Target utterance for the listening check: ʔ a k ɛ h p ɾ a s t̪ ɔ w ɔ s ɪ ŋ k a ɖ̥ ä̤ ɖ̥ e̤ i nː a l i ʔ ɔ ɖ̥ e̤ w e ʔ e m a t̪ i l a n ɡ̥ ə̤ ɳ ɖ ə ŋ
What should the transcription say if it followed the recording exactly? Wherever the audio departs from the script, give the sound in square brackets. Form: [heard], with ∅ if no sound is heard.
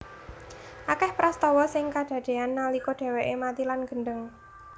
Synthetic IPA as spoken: ʔ a k ɛ h p ɾ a s t̪ ɔ w ɔ s ɪ ŋ k a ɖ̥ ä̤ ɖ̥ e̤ [a] nː a l i [k] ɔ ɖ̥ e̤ w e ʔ e m a t̪ i l a n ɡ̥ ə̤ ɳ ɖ ə ŋ